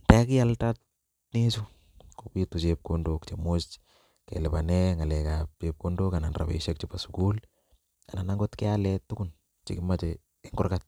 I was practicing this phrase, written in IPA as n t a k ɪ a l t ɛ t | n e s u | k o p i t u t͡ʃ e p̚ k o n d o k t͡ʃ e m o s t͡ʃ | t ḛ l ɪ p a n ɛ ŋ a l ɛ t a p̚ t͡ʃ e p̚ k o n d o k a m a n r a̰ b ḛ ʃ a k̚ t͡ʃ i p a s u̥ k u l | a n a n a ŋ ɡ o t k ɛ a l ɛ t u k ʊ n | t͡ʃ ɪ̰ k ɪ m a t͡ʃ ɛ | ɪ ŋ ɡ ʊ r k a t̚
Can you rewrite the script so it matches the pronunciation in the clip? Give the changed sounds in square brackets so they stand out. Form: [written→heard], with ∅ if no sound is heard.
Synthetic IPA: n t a k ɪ a l t [ɛ→a] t | n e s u | k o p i t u t͡ʃ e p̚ k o n d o k t͡ʃ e m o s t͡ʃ | [t→k] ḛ l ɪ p a n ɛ ŋ a l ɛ [t→k] a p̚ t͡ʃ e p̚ k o n d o k a [m→n] a n r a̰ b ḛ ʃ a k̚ t͡ʃ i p a s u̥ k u l | a n a n a ŋ ɡ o t k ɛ a l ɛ t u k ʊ n | t͡ʃ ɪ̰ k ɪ m a t͡ʃ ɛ | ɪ ŋ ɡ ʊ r k a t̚